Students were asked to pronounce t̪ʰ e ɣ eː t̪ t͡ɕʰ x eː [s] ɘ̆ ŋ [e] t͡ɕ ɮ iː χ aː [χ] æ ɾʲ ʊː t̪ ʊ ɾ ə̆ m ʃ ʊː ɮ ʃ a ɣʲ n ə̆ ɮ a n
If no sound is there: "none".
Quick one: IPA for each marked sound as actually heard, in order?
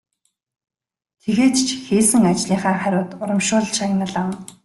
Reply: s, a, χ

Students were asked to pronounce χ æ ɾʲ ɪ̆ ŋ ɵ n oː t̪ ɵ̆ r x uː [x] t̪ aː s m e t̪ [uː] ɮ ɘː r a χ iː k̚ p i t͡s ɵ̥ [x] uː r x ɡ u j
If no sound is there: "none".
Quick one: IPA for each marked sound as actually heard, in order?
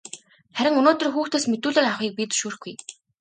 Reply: x, uː, ʃ

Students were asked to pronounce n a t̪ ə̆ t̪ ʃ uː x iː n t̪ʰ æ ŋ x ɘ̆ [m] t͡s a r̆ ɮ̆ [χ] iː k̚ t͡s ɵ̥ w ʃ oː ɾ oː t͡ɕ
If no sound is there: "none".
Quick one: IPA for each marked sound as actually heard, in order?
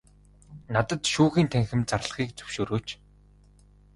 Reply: m, χ

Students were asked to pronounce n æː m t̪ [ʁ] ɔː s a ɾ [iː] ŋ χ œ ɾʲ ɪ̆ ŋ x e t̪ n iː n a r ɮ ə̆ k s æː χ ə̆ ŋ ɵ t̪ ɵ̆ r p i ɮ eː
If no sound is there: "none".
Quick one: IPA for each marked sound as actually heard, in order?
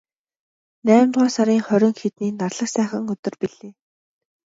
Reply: ʁ, iː

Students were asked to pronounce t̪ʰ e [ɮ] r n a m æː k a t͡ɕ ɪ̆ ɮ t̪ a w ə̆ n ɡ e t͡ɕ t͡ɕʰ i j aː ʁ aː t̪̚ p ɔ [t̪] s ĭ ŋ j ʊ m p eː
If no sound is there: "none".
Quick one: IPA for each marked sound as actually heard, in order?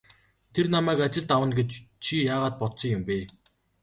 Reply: none, t̪

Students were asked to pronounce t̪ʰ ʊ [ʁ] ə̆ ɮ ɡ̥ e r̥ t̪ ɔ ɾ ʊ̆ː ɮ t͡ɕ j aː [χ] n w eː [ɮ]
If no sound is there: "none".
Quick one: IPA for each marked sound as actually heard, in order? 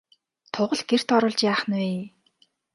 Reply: ʁ, χ, none

